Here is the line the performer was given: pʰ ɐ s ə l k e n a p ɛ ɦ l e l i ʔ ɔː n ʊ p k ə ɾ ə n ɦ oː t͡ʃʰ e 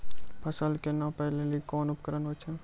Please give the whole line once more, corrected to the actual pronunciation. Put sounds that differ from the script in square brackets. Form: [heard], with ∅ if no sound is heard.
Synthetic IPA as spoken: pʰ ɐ s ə l k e n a p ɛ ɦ l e l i [k] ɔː n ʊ p k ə ɾ ə n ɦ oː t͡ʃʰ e